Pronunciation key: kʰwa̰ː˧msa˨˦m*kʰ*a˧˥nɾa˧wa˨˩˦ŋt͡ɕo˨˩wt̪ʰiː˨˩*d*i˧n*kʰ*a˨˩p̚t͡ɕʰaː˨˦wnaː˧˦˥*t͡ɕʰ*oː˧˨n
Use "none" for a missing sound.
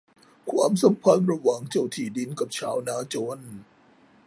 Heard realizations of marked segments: pʰ, d, k, t͡ɕ

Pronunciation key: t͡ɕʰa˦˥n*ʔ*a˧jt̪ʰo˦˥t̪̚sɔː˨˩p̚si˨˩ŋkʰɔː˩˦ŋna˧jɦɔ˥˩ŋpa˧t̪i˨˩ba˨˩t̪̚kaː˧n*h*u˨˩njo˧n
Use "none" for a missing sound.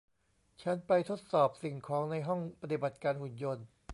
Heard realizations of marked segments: p, h

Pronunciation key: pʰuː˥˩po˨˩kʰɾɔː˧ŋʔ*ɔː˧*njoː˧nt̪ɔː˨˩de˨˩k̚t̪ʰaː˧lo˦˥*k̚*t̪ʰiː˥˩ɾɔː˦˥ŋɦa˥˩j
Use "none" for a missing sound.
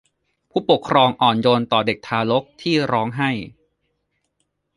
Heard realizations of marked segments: ɔː˨˩, k̚

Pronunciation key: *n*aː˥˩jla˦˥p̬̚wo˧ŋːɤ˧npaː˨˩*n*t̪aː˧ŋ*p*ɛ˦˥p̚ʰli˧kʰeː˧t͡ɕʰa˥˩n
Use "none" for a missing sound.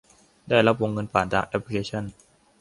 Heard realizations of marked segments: d, n, ʔ

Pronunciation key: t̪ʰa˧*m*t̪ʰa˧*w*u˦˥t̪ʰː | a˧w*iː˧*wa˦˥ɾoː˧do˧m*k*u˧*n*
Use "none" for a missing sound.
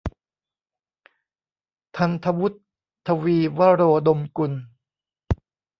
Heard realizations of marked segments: n, w, iː˧, k, n

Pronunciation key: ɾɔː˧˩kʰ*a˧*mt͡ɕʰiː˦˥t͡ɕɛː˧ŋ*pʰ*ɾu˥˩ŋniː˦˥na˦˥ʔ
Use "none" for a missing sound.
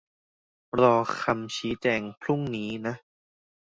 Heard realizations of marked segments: a˧, pʰ

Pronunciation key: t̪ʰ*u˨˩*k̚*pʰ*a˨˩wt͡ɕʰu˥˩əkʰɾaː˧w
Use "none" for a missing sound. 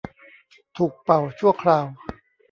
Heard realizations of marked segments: uː˨˩, p

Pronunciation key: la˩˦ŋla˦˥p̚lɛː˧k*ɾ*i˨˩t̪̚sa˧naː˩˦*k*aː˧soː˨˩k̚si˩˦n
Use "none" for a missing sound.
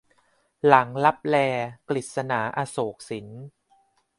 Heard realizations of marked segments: l, ʔ

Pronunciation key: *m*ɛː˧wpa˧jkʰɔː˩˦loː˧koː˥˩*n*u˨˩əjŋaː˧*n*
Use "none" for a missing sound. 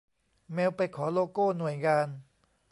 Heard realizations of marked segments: m, n, n

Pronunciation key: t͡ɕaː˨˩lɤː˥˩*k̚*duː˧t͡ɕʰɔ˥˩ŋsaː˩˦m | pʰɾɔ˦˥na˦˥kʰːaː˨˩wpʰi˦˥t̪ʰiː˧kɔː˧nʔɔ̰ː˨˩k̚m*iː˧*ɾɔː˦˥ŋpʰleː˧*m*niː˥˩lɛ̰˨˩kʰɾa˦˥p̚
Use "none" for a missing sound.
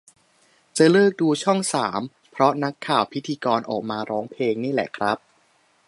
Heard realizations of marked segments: k̚, aː˧, ŋ

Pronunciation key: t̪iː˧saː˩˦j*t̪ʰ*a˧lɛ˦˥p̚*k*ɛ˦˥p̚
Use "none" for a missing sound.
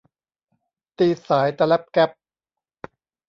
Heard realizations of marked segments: t̪, k

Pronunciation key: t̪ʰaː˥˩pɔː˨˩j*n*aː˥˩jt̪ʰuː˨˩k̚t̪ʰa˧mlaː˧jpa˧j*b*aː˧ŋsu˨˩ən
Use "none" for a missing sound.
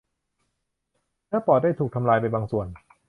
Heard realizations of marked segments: d, b

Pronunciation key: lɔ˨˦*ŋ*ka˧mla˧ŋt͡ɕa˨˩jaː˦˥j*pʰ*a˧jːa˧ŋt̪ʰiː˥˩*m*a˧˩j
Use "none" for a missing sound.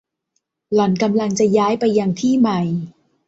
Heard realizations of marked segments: n, p, m

